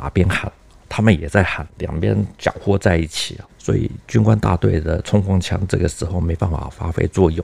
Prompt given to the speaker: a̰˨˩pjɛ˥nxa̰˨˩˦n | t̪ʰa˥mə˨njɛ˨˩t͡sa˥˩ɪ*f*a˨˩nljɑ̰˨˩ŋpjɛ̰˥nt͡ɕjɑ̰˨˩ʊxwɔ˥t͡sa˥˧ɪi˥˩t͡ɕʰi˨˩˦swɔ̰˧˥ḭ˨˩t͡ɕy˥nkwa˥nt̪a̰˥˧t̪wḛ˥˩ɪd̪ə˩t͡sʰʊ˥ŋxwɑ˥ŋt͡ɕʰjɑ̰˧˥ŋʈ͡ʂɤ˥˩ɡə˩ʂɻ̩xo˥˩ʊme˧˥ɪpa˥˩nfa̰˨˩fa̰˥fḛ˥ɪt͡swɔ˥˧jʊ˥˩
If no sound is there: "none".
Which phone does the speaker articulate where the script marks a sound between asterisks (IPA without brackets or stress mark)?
x